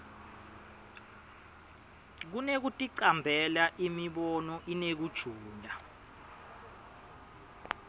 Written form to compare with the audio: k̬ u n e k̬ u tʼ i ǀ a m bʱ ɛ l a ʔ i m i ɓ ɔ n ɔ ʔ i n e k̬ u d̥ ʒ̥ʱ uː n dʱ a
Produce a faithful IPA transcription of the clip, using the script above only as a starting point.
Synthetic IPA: k̬ u n e k̬ u tʼ i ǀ a m bʱ ɛ l a ʔ i m i ɓ ɔ n ɔ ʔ i n e k̬ u d̥ ʒ̥ʱ uː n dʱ a